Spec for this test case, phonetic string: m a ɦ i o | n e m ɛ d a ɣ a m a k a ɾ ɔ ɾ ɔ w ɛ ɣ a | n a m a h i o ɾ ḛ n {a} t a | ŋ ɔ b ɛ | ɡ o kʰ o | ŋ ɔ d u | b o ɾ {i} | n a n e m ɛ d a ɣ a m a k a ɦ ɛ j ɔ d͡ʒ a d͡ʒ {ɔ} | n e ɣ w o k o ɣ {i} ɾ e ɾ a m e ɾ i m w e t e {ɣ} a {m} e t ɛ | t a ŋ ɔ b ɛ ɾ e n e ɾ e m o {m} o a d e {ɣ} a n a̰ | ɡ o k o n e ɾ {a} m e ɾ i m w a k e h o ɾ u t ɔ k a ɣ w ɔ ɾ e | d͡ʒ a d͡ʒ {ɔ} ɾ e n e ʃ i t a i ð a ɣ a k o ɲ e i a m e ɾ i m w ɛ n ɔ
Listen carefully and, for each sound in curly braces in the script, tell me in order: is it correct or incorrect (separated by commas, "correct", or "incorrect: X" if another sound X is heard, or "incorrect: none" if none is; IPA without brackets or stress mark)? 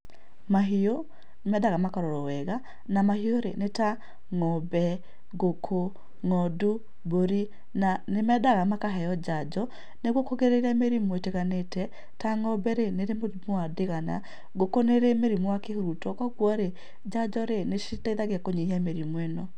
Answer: incorrect: e, correct, correct, incorrect: e, correct, incorrect: n, correct, correct, incorrect: e, correct